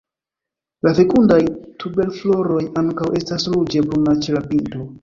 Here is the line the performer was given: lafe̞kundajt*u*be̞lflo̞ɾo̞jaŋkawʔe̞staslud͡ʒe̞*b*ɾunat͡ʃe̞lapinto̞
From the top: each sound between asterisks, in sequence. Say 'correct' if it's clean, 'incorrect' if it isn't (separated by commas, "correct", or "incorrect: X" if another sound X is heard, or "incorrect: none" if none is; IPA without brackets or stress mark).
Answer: correct, correct